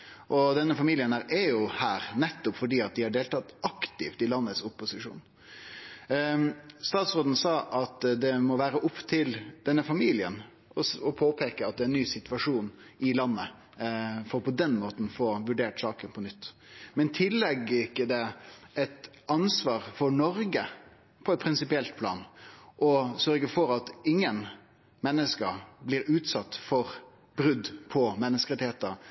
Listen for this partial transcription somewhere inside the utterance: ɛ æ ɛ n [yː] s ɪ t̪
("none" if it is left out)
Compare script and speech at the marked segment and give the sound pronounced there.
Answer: yː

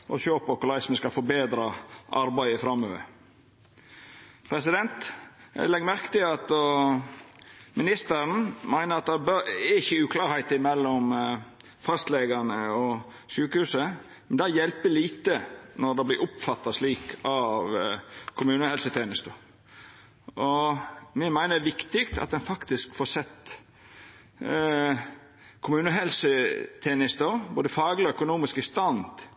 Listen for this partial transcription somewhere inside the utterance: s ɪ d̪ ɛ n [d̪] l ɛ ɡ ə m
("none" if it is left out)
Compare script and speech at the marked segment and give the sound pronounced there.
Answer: t̪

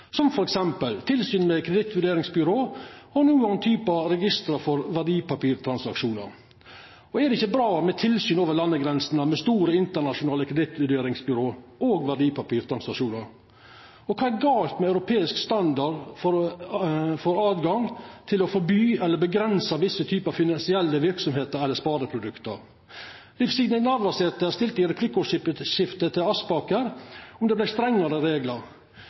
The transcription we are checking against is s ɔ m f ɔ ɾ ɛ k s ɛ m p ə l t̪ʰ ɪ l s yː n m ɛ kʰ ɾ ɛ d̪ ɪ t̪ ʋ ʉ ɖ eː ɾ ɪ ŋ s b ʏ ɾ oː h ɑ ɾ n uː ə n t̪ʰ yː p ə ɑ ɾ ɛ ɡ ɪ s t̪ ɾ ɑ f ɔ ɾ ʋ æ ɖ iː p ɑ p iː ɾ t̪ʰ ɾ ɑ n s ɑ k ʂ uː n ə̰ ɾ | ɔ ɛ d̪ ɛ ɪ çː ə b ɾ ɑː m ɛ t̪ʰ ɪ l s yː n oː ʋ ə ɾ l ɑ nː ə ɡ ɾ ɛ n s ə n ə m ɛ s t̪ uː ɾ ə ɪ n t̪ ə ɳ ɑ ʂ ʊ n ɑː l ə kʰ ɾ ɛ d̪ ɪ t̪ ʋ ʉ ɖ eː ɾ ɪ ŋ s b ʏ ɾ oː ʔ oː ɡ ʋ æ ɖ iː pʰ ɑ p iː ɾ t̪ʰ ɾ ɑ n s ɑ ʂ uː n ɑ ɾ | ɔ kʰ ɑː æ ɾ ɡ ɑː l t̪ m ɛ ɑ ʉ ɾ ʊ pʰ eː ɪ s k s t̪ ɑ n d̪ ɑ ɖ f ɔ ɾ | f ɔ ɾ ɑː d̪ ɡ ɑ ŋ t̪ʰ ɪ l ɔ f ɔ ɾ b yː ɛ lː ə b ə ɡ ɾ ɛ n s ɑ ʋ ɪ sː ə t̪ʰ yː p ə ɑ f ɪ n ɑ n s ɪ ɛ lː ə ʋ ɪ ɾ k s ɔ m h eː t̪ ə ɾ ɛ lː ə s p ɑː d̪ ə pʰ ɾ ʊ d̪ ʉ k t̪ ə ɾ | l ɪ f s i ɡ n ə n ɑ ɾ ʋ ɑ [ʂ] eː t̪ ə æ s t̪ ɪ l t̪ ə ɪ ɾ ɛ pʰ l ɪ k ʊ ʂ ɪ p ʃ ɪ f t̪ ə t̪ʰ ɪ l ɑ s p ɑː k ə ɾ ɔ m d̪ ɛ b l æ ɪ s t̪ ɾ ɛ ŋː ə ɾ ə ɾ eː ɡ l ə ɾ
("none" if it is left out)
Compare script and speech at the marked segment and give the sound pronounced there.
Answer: s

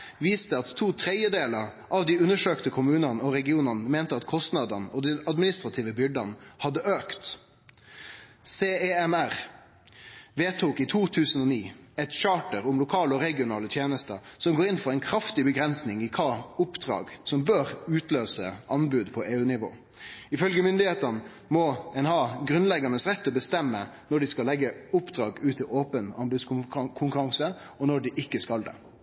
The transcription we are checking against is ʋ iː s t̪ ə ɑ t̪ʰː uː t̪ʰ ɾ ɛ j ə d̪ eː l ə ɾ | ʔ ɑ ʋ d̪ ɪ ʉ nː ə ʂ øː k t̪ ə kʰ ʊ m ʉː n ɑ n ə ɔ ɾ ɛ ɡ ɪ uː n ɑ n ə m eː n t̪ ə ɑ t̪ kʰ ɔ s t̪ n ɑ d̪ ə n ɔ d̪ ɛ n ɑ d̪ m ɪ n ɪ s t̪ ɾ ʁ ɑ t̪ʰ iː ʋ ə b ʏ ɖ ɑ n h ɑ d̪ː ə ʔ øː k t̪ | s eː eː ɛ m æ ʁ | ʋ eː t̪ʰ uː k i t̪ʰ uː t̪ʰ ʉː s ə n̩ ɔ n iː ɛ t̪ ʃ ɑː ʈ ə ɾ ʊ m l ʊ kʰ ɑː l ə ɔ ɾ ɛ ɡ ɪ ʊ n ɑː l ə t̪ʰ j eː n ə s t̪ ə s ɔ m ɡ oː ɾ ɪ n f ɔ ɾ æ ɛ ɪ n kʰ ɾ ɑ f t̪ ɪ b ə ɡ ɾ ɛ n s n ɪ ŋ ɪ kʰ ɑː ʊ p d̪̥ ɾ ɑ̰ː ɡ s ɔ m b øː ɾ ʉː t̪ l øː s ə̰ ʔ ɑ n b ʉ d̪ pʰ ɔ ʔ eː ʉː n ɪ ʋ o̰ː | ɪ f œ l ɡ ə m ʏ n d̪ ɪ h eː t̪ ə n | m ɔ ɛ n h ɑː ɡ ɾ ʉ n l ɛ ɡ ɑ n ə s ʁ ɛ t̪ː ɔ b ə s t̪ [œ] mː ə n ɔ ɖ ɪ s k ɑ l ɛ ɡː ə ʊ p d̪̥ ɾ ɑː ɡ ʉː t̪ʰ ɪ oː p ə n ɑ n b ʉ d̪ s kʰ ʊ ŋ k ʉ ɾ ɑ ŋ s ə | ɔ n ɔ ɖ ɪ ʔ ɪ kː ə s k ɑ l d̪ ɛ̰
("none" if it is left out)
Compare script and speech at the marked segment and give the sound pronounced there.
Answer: ɛ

